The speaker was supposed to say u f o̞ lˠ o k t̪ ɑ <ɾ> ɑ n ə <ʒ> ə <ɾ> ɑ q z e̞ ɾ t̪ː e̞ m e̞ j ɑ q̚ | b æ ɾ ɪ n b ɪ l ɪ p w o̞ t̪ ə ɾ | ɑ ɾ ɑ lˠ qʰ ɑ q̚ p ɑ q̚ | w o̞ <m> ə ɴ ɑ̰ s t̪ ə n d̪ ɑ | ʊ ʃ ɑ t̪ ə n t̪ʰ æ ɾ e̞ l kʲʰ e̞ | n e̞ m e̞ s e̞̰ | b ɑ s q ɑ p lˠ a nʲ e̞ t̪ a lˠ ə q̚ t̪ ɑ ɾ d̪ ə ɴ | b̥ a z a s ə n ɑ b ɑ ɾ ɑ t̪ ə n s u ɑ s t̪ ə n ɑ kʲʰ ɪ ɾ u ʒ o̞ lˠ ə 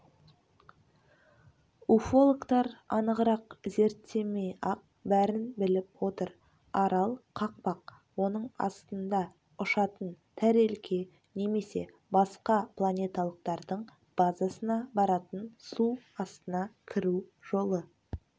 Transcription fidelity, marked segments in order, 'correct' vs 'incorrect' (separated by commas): correct, incorrect, correct, incorrect